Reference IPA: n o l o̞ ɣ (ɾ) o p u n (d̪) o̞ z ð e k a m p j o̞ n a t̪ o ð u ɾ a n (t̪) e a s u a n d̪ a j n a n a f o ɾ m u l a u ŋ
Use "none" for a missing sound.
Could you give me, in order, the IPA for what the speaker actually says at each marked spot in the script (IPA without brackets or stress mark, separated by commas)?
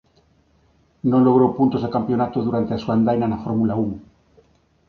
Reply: ɾ, t̪, t̪